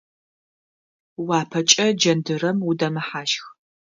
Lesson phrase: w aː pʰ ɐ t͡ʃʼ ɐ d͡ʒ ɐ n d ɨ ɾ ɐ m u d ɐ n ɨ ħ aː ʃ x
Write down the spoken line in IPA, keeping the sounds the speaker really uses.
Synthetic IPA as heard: w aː pʰ ɐ t͡ʃʼ ɐ d͡ʒ ɐ n d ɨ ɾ ɐ m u d ɐ m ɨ ħ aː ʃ x